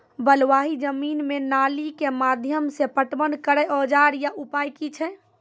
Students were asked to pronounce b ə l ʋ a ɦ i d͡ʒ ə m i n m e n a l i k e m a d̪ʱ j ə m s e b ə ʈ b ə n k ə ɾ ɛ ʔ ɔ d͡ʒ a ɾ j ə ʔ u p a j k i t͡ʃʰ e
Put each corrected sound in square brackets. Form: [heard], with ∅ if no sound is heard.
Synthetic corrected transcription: b ə l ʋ a ɦ i d͡ʒ ə m i n m e n a l i k e m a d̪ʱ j ə m s e [p] ə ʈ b ə n k ə ɾ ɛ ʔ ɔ d͡ʒ a ɾ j [a] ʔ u p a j k i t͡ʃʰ [ɛ]